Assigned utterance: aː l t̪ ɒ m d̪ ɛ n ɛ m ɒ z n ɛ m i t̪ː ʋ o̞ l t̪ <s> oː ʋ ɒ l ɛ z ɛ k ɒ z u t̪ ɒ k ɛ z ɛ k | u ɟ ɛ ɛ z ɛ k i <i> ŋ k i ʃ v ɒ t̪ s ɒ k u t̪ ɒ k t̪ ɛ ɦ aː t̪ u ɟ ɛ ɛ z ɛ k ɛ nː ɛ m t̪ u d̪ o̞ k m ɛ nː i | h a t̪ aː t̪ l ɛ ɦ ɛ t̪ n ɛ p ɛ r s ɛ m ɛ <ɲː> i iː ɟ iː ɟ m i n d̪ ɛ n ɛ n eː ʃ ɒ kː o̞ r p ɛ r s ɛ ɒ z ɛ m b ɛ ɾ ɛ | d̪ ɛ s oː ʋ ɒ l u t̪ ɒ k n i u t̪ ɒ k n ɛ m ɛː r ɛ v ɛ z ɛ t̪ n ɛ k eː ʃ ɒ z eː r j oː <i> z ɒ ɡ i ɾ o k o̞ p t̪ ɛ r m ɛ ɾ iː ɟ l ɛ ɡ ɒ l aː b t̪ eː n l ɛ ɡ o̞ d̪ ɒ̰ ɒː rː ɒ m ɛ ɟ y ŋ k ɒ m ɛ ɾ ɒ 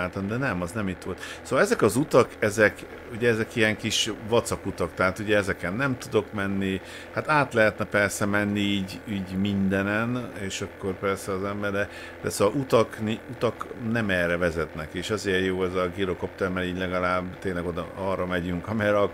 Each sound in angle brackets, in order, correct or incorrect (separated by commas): correct, incorrect, incorrect, incorrect